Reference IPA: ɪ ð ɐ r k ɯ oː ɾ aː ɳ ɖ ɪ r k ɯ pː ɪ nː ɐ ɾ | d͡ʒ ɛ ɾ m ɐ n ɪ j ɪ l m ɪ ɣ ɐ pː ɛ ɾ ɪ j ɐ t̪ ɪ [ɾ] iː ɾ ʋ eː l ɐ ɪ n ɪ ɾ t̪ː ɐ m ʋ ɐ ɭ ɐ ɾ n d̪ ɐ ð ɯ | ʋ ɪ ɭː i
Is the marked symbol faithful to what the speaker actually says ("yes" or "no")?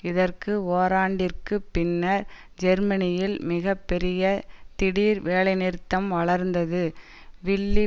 no